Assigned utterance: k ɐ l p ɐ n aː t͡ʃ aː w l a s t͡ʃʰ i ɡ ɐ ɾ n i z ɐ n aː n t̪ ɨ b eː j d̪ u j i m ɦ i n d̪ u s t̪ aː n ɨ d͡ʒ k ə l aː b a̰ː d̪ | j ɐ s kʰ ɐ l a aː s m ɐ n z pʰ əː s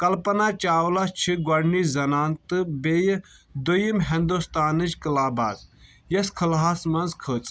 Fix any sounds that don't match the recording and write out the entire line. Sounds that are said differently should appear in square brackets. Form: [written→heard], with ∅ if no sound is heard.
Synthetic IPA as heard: k ɐ l p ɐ n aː t͡ʃ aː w l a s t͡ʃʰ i ɡ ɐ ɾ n i z ɐ n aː n t̪ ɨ b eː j d̪ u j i m ɦ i n d̪ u s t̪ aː n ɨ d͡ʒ k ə l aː b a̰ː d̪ | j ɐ s kʰ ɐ l a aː s m ɐ n z [pʰ→kʰ] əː [s→t͡s]

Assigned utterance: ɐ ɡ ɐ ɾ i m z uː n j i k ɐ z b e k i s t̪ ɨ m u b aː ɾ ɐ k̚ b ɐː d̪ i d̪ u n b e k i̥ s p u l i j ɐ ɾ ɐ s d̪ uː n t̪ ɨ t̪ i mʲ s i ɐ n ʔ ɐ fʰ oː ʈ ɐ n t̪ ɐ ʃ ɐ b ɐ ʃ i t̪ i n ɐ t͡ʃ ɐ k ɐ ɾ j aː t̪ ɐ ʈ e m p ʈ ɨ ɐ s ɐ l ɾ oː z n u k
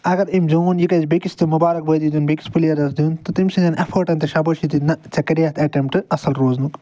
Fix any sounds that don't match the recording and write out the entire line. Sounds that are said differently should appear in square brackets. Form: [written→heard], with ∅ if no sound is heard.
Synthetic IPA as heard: ɐ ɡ ɐ ɾ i m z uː n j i k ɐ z b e k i s t̪ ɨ m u b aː ɾ ɐ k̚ b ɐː d̪ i d̪ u n b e k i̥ s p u l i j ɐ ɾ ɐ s d̪ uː n t̪ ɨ t̪ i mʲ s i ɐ n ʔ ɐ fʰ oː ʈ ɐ n t̪ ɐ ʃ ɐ b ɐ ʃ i t̪ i n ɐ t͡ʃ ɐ k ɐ ɾ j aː t̪ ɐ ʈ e m p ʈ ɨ ɐ s ɐ l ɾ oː z n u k

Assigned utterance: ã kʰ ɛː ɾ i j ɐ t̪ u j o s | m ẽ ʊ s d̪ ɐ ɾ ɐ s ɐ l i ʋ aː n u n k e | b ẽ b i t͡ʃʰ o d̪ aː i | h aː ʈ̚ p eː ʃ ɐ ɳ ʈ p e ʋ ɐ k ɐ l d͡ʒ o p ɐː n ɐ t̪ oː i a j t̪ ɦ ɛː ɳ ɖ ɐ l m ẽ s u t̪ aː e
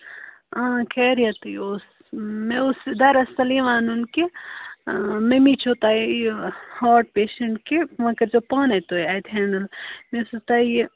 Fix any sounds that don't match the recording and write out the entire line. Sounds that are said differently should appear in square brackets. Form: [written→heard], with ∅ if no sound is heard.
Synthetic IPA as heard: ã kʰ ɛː ɾ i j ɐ t̪ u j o s | m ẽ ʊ s d̪ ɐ ɾ ɐ s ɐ l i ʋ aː n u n k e | [b→m] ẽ [b→m] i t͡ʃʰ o [d̪→t̪] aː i | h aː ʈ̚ p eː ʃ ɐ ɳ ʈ [p→k] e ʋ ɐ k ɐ [l→ɾ] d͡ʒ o p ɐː n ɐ t̪ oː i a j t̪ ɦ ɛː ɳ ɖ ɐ l m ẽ s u t̪ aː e

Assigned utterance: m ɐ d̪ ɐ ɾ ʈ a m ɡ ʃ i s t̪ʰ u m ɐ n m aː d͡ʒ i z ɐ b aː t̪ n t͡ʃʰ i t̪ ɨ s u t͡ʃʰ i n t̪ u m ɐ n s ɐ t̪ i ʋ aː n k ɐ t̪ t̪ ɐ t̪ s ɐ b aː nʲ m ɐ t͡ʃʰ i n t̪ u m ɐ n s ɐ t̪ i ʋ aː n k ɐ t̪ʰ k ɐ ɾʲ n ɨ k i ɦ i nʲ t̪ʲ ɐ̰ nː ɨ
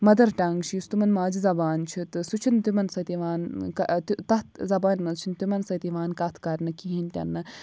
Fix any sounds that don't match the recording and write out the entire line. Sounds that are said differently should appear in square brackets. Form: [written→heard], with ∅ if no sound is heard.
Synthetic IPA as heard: m ɐ d̪ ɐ ɾ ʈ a [m→ŋ] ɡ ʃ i s [t̪ʰ→t̪] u m ɐ n m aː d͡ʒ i z ɐ b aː [t̪→∅] n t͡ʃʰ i t̪ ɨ s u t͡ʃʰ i n t̪ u m ɐ n s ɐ t̪ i ʋ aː n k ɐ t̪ t̪ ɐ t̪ [s→z] ɐ b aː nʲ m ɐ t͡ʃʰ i n t̪ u m ɐ n s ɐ t̪ i ʋ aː n k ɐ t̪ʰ k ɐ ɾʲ n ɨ k i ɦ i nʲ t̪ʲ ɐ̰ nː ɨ

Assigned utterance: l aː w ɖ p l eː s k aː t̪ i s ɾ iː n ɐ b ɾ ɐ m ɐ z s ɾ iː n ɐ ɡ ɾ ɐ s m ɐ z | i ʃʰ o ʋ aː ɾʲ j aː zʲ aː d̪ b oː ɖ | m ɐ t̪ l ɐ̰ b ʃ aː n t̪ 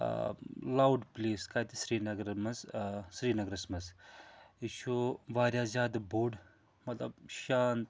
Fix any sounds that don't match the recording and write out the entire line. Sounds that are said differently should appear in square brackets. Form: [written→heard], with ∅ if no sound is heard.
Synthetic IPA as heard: l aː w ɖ p l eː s k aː t̪ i s ɾ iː n ɐ [b→ɡ] ɾ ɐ m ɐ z s ɾ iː n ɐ ɡ ɾ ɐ s m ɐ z | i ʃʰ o ʋ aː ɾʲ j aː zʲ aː d̪ b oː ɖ | m ɐ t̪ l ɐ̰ b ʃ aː n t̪

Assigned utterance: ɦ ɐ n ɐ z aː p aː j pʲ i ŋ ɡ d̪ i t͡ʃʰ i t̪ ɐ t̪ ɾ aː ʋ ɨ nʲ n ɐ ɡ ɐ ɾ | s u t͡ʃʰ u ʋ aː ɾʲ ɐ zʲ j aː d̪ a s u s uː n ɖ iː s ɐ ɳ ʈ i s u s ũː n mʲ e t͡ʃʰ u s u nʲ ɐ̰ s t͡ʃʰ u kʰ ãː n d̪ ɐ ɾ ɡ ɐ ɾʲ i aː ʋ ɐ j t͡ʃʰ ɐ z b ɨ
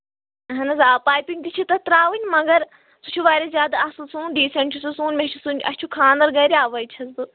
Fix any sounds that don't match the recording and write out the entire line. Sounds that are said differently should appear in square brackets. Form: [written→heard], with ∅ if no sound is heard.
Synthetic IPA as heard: ɦ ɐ n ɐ z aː p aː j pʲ i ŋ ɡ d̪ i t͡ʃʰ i t̪ ɐ t̪ ɾ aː ʋ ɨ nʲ [n→m] ɐ ɡ ɐ ɾ | s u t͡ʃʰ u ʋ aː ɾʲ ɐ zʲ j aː d̪ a s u s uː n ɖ iː s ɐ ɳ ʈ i s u s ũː n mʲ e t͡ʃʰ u s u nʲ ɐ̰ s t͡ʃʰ u kʰ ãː n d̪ ɐ ɾ ɡ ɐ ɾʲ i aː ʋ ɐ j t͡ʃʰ ɐ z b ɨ

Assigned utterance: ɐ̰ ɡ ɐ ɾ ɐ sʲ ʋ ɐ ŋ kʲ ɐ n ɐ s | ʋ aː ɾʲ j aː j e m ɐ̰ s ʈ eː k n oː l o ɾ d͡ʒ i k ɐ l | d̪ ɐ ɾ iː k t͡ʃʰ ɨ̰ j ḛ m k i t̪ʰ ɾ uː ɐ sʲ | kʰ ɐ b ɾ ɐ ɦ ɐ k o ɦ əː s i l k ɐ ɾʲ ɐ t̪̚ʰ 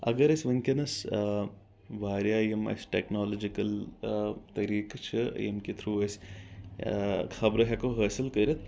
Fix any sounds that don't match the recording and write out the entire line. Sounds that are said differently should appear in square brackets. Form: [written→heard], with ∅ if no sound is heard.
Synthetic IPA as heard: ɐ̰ ɡ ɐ ɾ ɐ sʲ ʋ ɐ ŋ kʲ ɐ n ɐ s | ʋ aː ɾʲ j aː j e m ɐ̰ s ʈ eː k n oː l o [ɾ→∅] d͡ʒ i k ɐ l | [d̪→t̪] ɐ ɾ iː k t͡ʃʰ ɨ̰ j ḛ m k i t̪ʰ ɾ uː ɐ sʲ | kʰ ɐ b ɾ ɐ ɦ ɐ k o ɦ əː s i l k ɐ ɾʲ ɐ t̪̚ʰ

